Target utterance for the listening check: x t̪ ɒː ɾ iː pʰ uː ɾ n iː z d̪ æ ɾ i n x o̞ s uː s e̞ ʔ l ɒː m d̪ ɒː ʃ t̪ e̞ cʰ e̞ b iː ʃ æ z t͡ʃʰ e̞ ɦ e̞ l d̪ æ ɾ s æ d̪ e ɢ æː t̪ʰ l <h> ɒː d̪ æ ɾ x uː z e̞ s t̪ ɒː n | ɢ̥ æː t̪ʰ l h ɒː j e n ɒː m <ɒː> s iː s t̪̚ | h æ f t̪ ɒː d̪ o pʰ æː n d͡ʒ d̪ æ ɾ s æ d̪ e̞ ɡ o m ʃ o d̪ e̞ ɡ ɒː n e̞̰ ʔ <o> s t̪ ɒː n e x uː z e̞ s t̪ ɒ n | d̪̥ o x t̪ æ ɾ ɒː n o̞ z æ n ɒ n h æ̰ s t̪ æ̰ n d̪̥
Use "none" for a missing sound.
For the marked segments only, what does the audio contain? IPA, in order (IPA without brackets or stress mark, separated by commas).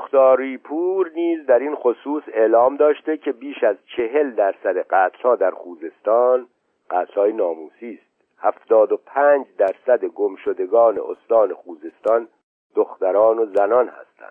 h, uː, o